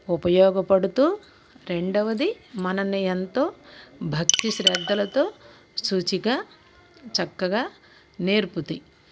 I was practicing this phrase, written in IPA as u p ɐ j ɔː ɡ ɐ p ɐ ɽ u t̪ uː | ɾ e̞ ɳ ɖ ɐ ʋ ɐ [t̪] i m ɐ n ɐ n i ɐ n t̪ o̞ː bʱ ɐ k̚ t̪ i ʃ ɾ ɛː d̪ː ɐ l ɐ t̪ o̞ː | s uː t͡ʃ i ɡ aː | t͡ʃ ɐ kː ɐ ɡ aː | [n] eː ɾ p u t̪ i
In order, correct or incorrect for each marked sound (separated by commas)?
incorrect, correct